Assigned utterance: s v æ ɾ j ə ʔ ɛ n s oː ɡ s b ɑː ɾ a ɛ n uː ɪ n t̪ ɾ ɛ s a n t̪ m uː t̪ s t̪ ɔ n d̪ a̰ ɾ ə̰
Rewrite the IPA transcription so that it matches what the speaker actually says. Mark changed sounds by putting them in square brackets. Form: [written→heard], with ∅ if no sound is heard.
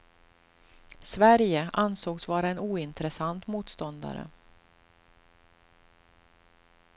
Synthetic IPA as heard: s v æ ɾ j ə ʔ [ɛ→a] n s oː ɡ s [b→v] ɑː ɾ a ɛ n uː ɪ n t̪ ɾ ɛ s a n t̪ m uː t̪ s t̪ ɔ n d̪ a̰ ɾ ə̰